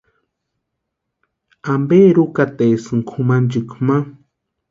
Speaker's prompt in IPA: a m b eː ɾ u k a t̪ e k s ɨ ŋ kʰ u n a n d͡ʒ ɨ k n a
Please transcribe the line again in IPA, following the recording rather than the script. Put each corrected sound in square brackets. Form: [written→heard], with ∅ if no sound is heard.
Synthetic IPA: a m b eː ɾ u k a t̪ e [k→∅] s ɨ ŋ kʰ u [n→m] a n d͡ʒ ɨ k [n→m] a